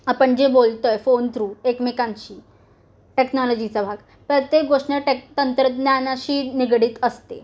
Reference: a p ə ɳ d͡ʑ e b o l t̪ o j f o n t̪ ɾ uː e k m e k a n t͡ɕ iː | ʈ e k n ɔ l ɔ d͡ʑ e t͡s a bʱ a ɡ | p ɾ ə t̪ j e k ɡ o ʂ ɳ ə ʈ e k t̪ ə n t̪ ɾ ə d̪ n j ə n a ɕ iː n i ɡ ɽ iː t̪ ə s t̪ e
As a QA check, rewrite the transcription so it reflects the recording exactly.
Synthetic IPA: a p ə ɳ d͡ʑ e b o l t̪ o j f o n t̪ ɾ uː e k m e k a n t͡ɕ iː | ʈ e k n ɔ l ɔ d͡ʑ i t͡s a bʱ a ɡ | p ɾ ə t̪ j e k ɡ o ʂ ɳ ə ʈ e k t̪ ə n t̪ ɾ ə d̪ n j a n a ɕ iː n i ɡ ɽ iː t̪ ə s t̪ e